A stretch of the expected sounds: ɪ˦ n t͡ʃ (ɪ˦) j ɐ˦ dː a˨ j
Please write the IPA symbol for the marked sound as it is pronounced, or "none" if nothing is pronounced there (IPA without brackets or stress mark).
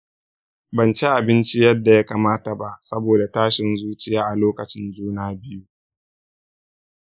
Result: i˦